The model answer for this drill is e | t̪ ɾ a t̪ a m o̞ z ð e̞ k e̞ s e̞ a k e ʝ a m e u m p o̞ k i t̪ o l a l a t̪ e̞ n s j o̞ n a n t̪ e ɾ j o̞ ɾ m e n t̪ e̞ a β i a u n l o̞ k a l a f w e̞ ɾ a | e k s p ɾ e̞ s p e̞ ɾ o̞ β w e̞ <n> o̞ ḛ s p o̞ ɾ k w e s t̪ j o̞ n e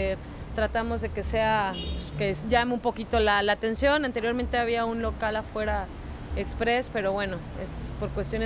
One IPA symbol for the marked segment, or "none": n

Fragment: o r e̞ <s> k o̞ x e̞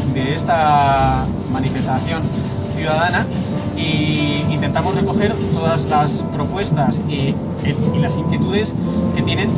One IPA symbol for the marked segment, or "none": none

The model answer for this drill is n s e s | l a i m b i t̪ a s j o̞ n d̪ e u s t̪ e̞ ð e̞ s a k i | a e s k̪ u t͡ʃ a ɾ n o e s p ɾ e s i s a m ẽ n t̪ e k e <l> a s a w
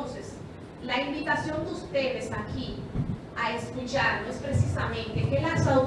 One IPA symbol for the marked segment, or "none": l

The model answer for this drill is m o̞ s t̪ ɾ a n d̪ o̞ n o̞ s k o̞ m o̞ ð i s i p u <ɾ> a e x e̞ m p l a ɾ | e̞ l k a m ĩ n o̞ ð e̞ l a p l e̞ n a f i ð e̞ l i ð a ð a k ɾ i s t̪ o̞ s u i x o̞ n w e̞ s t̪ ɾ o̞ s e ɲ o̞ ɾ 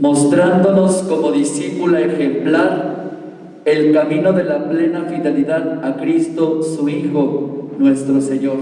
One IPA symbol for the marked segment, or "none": l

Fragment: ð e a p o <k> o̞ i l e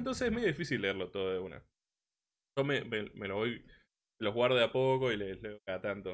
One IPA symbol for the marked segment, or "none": k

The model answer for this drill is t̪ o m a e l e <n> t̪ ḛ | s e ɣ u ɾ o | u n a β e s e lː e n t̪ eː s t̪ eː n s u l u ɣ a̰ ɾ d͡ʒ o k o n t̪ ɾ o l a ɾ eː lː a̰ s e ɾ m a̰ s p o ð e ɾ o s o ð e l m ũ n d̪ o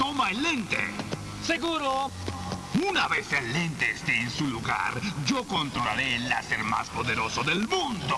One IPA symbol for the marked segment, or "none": n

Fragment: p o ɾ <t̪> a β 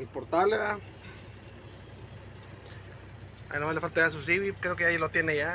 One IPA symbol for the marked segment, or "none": t̪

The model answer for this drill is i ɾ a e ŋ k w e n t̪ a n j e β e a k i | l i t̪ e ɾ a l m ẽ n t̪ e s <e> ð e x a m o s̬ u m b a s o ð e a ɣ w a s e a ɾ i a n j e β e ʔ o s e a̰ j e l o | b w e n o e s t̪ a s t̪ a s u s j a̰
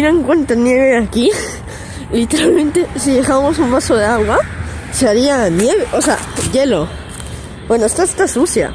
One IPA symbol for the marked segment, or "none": i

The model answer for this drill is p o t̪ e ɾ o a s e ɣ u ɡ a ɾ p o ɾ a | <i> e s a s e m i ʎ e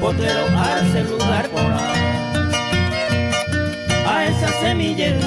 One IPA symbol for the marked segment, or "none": a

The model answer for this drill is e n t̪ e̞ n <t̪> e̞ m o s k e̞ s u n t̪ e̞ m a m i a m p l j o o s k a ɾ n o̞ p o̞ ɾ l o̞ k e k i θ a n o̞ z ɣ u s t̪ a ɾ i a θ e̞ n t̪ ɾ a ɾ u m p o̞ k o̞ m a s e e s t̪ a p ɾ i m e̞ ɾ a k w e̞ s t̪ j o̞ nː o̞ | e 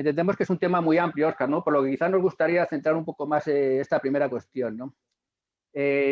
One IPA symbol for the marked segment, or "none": d̪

